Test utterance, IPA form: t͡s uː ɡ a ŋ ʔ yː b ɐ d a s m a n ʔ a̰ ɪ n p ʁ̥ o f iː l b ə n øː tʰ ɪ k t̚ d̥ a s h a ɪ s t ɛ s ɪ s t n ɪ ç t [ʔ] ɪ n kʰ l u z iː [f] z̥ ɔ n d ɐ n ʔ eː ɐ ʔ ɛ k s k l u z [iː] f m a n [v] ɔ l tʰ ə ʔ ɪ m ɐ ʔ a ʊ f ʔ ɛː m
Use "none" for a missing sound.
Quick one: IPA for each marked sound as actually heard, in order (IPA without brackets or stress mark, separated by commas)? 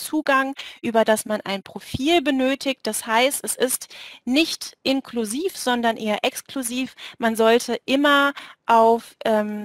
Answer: ʔ, f, iː, z